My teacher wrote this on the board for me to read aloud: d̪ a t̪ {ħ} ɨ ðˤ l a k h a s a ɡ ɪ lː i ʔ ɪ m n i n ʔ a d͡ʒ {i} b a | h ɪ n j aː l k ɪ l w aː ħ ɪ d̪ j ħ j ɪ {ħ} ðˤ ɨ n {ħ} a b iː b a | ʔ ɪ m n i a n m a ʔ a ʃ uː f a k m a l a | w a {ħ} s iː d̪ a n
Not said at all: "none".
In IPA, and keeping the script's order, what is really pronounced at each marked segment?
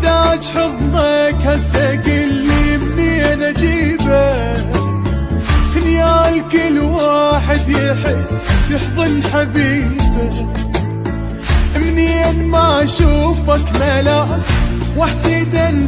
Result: ħ, iː, ħ, ħ, ħ

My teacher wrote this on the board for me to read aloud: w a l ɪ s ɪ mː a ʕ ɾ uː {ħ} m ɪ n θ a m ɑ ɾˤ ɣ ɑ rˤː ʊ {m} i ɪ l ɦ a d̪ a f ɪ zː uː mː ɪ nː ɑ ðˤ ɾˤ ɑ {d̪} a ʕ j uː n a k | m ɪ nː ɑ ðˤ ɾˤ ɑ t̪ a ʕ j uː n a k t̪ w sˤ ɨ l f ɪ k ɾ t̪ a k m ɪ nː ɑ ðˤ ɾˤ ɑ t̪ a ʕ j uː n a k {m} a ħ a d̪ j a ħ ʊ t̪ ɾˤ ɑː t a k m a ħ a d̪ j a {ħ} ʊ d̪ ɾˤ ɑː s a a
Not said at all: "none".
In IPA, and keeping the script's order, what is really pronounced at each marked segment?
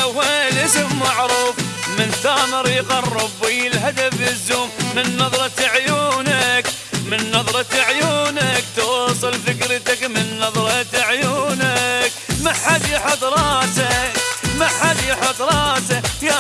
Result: f, b, t̪, m, ħ

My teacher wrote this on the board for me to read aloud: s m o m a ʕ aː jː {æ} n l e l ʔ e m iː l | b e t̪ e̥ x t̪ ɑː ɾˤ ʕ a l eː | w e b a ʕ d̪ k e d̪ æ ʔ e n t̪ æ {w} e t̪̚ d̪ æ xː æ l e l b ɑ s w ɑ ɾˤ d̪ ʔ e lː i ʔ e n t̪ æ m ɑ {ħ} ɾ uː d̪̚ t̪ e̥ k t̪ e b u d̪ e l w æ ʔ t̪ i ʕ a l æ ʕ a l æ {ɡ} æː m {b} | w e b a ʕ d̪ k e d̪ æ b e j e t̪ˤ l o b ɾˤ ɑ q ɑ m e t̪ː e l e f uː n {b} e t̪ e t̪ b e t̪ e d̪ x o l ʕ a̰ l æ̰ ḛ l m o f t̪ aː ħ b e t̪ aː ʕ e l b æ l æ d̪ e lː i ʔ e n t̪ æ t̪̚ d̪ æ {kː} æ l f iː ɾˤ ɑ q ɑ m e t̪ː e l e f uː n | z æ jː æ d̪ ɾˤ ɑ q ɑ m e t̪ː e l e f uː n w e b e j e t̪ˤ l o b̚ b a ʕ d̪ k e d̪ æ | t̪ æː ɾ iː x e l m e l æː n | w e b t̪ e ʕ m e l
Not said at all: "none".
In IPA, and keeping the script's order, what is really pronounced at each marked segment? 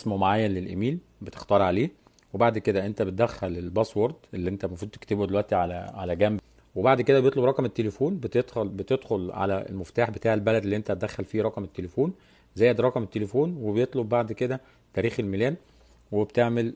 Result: æ, b, f, ɡ, b, b, xː

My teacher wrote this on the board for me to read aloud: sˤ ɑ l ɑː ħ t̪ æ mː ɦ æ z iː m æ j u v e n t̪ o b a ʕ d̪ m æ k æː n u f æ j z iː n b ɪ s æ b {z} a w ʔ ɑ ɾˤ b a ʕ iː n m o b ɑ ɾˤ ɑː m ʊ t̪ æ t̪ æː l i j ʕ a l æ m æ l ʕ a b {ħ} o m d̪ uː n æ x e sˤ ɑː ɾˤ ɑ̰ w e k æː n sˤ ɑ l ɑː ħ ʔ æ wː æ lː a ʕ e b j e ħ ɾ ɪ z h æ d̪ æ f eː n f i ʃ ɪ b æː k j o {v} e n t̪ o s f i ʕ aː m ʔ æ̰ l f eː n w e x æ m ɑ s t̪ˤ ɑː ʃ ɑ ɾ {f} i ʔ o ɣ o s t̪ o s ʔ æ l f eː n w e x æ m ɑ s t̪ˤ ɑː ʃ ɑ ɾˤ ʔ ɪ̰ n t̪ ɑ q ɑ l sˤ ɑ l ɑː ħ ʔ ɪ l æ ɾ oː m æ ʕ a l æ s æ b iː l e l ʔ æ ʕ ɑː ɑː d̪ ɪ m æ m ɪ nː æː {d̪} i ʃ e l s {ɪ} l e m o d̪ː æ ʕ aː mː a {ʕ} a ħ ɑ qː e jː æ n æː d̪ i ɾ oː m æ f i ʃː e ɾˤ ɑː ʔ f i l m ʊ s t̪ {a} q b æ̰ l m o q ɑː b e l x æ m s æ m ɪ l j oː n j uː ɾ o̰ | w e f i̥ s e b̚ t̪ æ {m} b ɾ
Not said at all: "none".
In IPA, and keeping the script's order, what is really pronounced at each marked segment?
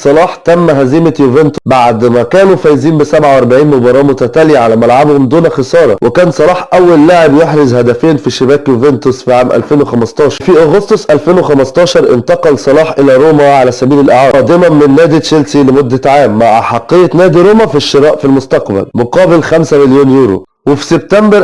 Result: ʕ, h, v, f, d̪, i, ʕ, ɑ, m

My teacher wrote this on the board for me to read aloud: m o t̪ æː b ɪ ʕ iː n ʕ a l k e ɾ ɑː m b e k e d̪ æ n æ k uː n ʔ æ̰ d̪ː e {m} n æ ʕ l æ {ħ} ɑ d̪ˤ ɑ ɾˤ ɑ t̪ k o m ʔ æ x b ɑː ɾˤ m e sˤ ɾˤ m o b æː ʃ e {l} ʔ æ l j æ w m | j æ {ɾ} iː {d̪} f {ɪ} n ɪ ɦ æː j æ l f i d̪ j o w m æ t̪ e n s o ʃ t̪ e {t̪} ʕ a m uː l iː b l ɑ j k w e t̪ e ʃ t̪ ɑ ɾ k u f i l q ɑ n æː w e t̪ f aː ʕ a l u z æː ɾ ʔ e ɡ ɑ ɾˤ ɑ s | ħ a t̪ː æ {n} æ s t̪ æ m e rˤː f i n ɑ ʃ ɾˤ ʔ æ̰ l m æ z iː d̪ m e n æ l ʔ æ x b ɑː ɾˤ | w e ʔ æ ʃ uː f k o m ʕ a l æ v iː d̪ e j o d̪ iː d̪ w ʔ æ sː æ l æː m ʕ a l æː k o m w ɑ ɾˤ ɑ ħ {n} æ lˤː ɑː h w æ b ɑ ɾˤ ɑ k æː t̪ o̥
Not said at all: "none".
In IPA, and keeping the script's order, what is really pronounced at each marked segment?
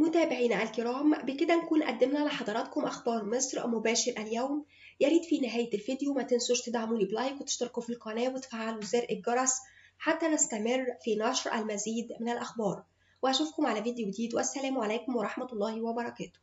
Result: m, ħ, ɾ, ɾ, d̪, i, d̪, n, m

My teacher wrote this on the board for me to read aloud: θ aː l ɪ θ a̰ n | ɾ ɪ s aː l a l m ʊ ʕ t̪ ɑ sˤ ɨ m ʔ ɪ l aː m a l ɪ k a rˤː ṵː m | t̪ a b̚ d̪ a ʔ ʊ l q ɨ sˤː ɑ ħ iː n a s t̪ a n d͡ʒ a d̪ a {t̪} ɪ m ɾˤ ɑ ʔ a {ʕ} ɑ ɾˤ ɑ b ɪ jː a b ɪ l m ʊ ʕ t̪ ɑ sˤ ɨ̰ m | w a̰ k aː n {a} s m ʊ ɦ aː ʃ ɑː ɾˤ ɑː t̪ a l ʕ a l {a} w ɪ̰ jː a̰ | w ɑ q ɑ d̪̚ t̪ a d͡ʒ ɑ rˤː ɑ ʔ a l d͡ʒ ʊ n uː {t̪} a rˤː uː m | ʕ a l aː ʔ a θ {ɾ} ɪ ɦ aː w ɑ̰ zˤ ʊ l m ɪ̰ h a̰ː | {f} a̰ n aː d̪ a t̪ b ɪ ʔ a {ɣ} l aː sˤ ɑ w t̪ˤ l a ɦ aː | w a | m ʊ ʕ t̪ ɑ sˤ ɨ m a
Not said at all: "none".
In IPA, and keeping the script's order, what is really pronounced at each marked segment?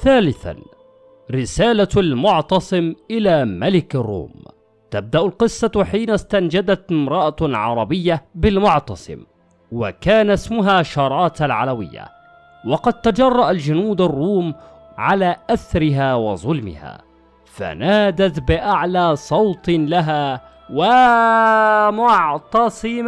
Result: t̪, ʕ, a, a, d̪, ɾ, f, ʕ

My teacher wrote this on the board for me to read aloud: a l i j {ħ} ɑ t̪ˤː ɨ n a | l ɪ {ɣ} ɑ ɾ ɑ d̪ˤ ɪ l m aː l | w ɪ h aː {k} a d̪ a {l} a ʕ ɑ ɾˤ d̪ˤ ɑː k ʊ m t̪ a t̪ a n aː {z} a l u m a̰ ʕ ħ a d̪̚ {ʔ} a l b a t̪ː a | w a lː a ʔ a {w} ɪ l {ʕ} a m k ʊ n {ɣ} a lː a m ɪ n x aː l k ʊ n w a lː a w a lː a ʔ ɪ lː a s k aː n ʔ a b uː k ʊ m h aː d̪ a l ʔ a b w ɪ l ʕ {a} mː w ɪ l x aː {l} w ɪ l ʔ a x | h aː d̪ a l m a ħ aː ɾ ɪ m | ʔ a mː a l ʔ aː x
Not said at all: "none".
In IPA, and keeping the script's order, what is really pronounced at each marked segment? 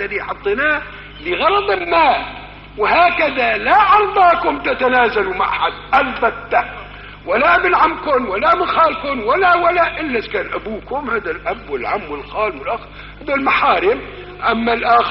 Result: ħ, ɣ, k, l, z, ʔ, b, ʕ, w, a, l

